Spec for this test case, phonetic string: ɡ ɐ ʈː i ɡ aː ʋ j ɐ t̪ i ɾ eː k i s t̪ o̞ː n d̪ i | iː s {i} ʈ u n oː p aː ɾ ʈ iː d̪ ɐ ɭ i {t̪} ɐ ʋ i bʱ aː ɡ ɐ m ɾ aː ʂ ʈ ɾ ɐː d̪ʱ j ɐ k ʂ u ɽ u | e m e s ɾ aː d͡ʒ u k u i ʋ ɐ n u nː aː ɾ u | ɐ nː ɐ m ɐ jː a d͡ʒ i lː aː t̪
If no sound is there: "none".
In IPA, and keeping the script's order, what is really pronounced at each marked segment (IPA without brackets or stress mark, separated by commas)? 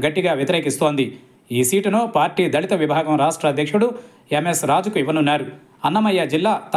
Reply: iː, t̪